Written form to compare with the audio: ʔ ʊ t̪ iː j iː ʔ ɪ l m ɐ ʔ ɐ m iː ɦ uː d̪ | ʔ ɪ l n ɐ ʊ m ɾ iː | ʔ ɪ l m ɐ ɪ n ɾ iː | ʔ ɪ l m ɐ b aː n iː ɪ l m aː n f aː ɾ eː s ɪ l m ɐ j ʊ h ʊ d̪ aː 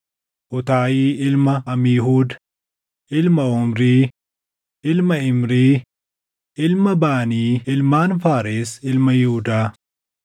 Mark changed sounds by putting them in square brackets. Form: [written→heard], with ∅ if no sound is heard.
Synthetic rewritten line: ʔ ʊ t̪ [iː→aː] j iː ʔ ɪ l m ɐ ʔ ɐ m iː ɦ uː d̪ | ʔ ɪ l [n→m] ɐ ʊ m ɾ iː | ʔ ɪ l m ɐ ɪ [n→m] ɾ iː | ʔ ɪ l m ɐ b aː n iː ɪ l m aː n f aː ɾ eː s ɪ l m ɐ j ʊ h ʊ d̪ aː